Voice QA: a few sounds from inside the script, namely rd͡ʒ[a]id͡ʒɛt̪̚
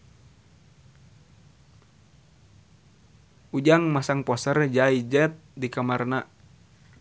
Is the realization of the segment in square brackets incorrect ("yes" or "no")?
no